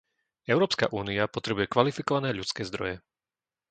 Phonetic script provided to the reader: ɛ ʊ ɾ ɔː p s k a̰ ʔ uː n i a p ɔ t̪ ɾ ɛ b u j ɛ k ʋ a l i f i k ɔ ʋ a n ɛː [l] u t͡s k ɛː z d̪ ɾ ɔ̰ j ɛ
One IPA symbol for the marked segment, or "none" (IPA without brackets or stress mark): ʎ